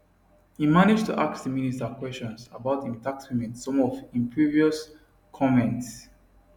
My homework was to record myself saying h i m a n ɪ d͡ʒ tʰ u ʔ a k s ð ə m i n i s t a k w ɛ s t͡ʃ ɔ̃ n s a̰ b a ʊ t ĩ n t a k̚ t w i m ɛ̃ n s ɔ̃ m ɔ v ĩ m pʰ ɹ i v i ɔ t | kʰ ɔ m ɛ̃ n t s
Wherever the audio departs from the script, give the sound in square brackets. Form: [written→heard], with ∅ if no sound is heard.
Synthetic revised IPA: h i m a n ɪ d͡ʒ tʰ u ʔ a k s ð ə m i n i s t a k w ɛ s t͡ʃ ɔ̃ n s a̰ b a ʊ t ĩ n t a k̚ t w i m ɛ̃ n s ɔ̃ m ɔ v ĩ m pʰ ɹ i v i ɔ [t→s] | kʰ ɔ m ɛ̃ n t s